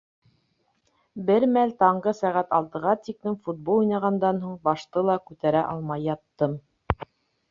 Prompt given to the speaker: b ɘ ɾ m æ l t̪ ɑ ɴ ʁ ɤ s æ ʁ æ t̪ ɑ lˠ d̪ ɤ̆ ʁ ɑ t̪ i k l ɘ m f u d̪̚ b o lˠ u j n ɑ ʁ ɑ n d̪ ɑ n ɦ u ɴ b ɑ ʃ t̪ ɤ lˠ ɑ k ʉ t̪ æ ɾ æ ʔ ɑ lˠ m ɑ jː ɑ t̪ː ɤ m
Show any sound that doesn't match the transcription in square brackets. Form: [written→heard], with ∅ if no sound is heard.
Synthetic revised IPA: b ɘ ɾ m æ l t̪ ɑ ɴ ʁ ɤ s æ ʁ æ t̪ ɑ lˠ [d̪→t̪] ɤ̆ ʁ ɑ t̪ i k l ɘ m f u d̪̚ b o lˠ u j n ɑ ʁ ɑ n d̪ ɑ n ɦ u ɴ b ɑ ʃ t̪ ɤ lˠ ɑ k ʉ t̪ æ ɾ æ ʔ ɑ lˠ m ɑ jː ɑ t̪ː ɤ m